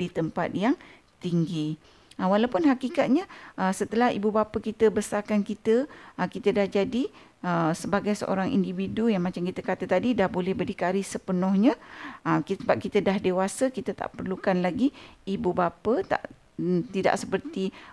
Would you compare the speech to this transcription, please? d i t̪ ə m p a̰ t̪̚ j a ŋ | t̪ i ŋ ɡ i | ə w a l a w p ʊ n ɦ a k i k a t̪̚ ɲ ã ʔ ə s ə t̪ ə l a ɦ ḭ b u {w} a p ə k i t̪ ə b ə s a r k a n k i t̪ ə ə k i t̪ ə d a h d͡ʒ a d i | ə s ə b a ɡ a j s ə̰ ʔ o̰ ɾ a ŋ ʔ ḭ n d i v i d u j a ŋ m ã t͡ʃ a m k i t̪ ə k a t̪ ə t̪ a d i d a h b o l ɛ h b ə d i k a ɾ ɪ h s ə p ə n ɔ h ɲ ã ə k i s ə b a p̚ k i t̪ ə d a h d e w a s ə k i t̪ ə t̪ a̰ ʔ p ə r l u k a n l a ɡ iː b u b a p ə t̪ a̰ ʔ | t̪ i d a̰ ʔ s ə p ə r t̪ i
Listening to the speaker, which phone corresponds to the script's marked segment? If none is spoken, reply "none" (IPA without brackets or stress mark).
b